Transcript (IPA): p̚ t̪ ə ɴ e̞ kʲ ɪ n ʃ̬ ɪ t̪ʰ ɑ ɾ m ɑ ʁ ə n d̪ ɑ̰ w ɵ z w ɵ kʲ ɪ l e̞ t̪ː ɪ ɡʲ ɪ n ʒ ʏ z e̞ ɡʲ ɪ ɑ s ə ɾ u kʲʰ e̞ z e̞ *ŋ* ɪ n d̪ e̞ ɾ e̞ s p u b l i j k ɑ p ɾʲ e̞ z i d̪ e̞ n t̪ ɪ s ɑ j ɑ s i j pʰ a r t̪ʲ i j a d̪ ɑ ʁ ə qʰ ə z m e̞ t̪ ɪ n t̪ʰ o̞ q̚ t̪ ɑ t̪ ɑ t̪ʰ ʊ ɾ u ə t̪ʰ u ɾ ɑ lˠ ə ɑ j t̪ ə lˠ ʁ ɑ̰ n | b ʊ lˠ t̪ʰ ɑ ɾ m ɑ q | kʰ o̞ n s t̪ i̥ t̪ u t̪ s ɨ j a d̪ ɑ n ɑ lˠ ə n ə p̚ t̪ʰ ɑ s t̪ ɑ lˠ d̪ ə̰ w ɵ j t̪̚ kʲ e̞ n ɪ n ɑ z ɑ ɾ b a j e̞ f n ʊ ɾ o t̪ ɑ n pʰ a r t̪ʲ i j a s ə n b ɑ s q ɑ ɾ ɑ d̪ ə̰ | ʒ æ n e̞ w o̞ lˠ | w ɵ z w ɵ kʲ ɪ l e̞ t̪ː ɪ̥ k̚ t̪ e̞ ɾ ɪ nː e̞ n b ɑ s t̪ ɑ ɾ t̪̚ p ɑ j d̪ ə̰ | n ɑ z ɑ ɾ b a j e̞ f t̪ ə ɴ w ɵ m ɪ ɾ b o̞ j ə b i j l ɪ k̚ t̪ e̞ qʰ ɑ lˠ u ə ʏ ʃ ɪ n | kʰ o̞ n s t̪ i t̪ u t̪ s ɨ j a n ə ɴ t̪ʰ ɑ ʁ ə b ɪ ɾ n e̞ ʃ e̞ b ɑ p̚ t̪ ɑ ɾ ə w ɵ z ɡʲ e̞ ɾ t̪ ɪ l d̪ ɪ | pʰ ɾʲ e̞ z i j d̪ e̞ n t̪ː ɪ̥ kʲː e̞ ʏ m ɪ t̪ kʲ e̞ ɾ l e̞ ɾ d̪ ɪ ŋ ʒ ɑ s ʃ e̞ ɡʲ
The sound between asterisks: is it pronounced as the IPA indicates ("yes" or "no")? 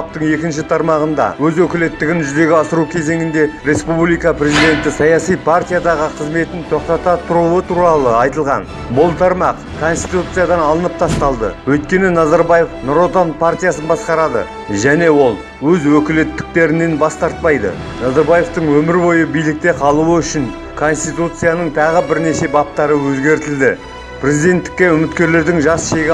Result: yes